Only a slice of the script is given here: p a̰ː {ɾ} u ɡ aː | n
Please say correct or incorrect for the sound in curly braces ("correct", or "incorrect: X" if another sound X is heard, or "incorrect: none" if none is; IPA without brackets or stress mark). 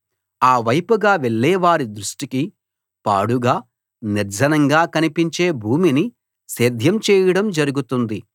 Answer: incorrect: ɽ